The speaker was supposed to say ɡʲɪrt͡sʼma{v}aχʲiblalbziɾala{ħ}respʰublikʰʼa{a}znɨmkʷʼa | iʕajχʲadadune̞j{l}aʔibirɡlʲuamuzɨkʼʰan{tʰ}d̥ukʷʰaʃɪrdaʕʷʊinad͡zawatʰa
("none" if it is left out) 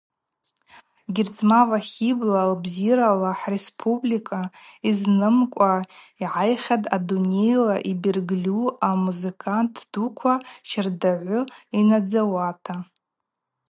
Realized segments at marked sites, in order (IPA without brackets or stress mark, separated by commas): v, ħ, i, l, tʰ